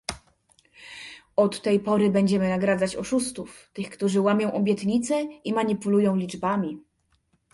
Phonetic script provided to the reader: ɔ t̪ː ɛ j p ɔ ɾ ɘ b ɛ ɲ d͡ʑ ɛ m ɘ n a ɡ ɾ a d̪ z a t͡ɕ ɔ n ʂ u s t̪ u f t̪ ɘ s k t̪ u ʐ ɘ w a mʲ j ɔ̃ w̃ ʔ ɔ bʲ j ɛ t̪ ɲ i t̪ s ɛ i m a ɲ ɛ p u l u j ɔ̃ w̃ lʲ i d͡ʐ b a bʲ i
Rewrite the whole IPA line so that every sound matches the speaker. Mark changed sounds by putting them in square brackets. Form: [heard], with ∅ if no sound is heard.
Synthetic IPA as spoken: ɔ t̪ː ɛ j p ɔ ɾ ɘ b ɛ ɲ d͡ʑ ɛ m ɘ n a ɡ ɾ a d̪ z a t͡ɕ ɔ [∅] ʂ u s t̪ u f t̪ ɘ [x] k t̪ u ʐ ɘ w a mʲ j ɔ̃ w̃ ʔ ɔ bʲ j ɛ t̪ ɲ i t̪ s ɛ i m a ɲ [i] p u l u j ɔ̃ w̃ lʲ i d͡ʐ b a [mʲ] i